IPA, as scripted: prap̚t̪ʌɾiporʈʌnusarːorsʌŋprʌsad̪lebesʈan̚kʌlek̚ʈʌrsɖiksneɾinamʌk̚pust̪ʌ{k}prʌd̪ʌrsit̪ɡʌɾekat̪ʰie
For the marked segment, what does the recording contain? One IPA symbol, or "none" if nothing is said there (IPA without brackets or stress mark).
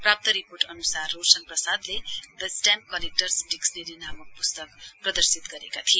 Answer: k